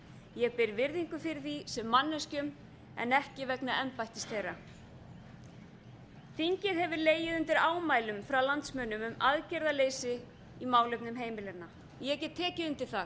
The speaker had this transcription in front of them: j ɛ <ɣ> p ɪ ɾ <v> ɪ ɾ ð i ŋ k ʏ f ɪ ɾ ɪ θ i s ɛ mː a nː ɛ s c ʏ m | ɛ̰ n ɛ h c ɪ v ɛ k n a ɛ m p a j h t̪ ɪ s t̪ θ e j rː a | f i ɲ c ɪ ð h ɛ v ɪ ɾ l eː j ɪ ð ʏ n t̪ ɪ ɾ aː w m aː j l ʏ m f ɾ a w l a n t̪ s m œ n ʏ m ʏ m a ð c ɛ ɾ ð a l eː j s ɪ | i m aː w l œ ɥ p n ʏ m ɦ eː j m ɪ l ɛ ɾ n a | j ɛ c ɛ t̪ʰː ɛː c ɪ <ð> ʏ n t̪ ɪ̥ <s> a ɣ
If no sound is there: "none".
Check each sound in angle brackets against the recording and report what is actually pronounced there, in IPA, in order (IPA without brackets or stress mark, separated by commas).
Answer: ɣ, v, ð, θ